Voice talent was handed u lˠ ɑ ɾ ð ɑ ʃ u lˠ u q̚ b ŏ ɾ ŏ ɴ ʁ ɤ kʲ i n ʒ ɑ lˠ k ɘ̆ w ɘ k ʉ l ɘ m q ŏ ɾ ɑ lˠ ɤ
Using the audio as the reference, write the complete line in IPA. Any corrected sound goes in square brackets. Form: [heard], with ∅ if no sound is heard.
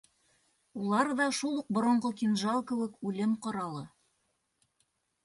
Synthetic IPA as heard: u lˠ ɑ ɾ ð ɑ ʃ u lˠ u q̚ b ŏ ɾ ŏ ɴ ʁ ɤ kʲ i n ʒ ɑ lˠ k ɘ̆ w ɘ k ʉ l ɘ m q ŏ ɾ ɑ lˠ ɤ